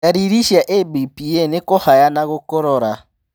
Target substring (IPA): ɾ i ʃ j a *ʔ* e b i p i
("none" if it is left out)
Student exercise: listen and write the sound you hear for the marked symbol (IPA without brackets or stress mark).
ʔ